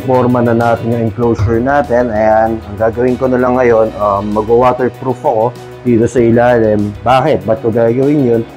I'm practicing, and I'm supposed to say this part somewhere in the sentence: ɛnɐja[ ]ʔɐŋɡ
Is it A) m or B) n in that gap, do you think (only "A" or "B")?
B